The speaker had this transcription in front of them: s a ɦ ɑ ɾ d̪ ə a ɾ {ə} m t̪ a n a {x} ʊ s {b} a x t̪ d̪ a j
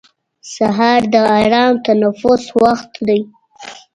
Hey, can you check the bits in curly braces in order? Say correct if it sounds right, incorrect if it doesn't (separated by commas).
incorrect, incorrect, incorrect